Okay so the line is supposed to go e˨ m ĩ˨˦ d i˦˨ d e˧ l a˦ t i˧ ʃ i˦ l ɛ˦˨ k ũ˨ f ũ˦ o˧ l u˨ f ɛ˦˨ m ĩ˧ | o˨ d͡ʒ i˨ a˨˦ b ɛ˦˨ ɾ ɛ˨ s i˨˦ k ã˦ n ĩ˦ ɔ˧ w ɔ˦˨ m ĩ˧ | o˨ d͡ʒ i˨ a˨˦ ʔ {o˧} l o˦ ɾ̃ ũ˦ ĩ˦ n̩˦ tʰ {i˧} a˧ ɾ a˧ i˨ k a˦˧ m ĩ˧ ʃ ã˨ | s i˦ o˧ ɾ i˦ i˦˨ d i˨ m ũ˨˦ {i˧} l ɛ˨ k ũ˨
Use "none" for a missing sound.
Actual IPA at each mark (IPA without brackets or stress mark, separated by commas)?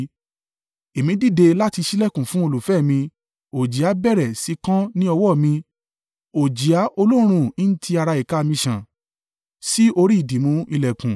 o˧, i˧, i˧